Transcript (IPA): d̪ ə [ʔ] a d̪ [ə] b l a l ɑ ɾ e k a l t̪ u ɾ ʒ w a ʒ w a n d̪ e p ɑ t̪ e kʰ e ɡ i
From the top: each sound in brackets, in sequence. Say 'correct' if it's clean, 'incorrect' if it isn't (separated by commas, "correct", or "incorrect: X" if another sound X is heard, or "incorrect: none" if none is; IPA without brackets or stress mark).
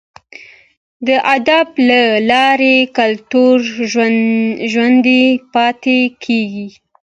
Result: correct, incorrect: a